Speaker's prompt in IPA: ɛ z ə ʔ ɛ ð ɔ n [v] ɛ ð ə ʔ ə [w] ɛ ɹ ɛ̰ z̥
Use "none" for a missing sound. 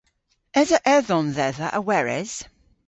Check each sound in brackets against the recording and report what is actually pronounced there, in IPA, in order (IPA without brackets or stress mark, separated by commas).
ð, w